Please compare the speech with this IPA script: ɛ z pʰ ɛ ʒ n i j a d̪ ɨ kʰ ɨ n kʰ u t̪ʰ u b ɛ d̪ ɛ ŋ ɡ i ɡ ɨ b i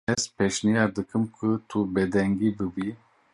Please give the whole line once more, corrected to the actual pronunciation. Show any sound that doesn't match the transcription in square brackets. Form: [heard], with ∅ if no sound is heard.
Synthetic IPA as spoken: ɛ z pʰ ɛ [ʃ] n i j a d̪ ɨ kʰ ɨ [m] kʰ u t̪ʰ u b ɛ d̪ ɛ ŋ ɡ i [b] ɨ b i